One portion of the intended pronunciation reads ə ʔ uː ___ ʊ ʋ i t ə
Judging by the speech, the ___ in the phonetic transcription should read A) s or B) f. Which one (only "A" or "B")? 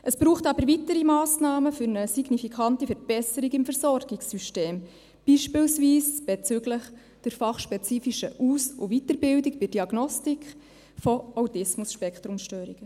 A